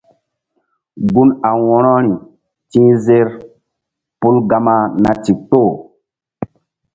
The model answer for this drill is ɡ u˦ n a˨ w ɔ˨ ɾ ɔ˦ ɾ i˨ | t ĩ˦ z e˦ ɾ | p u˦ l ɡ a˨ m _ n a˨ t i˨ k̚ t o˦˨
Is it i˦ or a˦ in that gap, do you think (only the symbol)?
a˦